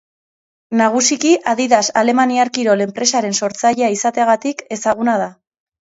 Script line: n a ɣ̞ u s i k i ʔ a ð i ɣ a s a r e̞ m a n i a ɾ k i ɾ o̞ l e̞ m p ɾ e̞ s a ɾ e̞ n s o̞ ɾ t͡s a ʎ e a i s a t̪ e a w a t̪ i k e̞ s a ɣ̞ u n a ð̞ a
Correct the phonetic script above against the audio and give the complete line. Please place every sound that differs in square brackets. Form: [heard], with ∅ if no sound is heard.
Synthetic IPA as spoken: n a ɣ̞ u s i k i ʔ a ð i [ð] a s a [l] e̞ m a n i a ɾ k i ɾ o̞ l e̞ m p ɾ e̞ s a ɾ e̞ n s o̞ ɾ t͡s a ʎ e a i s a t̪ e a [ɣ] a t̪ i k e̞ s a ɣ̞ u n a ð̞ a

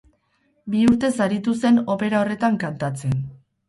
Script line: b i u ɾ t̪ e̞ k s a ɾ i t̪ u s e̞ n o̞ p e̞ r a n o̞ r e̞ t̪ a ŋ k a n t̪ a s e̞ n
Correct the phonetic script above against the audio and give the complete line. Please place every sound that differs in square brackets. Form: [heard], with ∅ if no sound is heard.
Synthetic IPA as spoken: b i u ɾ t̪ e̞ [∅] s a ɾ i t̪ u s e̞ n o̞ p e̞ [ɾ] a [∅] o̞ r e̞ t̪ a ŋ k a n t̪ a [t͡s] e̞ n

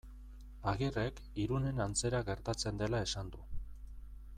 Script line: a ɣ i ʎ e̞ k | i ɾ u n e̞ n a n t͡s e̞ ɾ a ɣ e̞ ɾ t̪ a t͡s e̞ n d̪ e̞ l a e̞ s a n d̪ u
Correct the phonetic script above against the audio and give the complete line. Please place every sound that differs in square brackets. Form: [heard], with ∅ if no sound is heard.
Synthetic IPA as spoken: a ɣ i [r] e̞ k | i ɾ u n e̞ n a n t͡s e̞ ɾ a ɣ e̞ ɾ t̪ a t͡s e̞ n d̪ e̞ l a e̞ s a n d̪ u

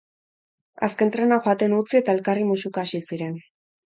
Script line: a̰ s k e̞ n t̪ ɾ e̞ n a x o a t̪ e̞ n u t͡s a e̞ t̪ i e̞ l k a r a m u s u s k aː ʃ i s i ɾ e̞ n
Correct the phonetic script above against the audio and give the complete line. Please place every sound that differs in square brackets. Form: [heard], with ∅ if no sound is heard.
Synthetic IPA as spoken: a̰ s k e̞ n t̪ ɾ e̞ n a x o a t̪ e̞ n u t͡s [i] e̞ t̪ [a] e̞ l k a r [i] m u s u [∅] k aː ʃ i s i ɾ e̞ n

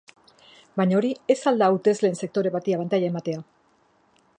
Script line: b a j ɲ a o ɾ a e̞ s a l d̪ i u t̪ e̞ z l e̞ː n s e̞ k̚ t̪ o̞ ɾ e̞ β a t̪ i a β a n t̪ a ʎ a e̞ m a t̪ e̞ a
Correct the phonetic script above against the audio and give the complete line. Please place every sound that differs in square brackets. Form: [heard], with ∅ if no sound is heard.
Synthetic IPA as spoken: b a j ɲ a o ɾ [i] e̞ s a l d̪ [a] u t̪ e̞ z l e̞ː n s e̞ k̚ t̪ o̞ ɾ e̞ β a t̪ i a β a n t̪ a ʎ a e̞ m a t̪ e̞ a

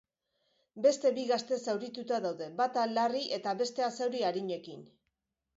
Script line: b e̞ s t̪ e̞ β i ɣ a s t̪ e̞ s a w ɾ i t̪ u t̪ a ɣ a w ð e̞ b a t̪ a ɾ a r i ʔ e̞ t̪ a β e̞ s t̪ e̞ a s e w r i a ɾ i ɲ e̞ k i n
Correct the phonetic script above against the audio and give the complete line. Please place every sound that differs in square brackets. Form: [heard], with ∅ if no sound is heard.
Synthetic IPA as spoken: b e̞ s t̪ e̞ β i ɣ a s t̪ e̞ s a w ɾ i t̪ u t̪ a [ð] a w ð e̞ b a t̪ a [l] a r i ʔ e̞ t̪ a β e̞ s t̪ e̞ a s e w [ɾ] i a ɾ i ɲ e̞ k i n

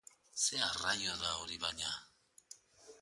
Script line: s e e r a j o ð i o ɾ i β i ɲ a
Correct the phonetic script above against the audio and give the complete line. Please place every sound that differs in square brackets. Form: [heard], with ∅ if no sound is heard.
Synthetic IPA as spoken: s e [a] r a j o ð [a] o ɾ i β [a] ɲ a

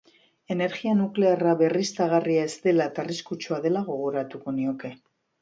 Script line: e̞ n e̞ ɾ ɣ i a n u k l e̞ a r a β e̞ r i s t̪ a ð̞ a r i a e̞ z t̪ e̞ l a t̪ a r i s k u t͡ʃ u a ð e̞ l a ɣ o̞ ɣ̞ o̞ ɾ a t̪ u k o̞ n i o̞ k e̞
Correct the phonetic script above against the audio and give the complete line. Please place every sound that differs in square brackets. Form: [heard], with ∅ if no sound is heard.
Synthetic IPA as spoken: e̞ n e̞ ɾ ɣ i a n u k l e̞ a r a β e̞ r i s t̪ a [ɣ̞] a r i a e̞ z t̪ e̞ l a t̪ a r i s k u t͡ʃ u a ð e̞ l a ɣ o̞ ɣ̞ o̞ ɾ a t̪ u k o̞ n i o̞ k e̞

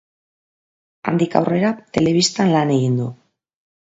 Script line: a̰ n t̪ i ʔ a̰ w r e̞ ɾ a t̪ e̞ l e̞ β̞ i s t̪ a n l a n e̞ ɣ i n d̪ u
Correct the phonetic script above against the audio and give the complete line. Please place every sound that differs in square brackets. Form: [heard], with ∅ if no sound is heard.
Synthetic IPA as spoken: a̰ n [d̪] i [k] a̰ w r e̞ ɾ a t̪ e̞ l e̞ β̞ i s t̪ a n l a n e̞ ɣ i n d̪ u

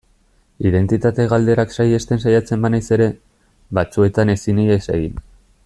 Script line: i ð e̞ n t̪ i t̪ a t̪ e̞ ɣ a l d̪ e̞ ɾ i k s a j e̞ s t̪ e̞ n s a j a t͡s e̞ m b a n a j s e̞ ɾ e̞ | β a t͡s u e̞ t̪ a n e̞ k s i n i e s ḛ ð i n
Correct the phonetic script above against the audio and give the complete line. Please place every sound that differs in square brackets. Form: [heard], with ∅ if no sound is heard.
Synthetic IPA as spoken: i ð e̞ n t̪ i t̪ a t̪ e̞ ɣ a l d̪ e̞ ɾ [a] k s a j e̞ s t̪ e̞ n s a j a t͡s e̞ m b a n a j s e̞ ɾ e̞ | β a t͡s u e̞ t̪ a n e̞ [∅] s i n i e s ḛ [ɣ] i n

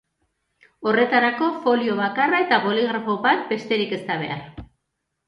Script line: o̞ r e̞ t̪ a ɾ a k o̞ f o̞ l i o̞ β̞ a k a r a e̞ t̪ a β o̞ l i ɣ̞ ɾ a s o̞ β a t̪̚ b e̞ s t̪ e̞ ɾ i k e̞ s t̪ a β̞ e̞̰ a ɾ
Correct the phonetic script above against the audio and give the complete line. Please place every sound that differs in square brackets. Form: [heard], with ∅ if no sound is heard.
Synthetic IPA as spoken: o̞ r e̞ t̪ a ɾ a k o̞ f o̞ l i o̞ β̞ a k a r a e̞ t̪ a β o̞ l i ɣ̞ ɾ a [f] o̞ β a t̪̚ b e̞ s t̪ e̞ ɾ i k e̞ s t̪ a β̞ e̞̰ a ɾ

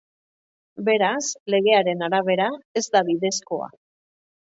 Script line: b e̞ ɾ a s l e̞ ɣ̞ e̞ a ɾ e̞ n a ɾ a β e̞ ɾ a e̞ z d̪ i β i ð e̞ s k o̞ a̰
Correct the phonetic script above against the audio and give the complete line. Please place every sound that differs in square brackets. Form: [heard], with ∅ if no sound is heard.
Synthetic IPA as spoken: b e̞ ɾ a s l e̞ ɣ̞ e̞ a ɾ e̞ n a ɾ a β e̞ ɾ a e̞ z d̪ [a] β i ð e̞ s k o̞ a̰

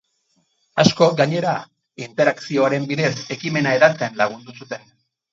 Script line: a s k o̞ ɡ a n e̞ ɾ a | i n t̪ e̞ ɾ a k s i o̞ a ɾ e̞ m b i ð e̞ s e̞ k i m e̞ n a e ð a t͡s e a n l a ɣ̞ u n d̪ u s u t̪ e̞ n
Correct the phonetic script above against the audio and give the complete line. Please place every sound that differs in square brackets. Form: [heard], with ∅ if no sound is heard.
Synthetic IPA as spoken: a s k o̞ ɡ a [ɲ] e̞ ɾ a | i n t̪ e̞ ɾ a k s i o̞ a ɾ e̞ m b i ð e̞ s e̞ k i m e̞ n a e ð a t͡s e a n l a ɣ̞ u n d̪ u s u t̪ e̞ n

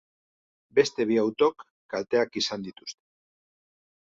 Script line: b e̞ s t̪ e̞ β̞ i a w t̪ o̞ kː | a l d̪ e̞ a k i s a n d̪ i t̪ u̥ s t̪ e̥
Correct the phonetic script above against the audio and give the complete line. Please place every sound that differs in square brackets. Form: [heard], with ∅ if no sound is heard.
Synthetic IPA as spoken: b e̞ s t̪ e̞ β̞ i a w t̪ o̞ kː | a l [t̪] e̞ a k i s a n d̪ i t̪ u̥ s t̪ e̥

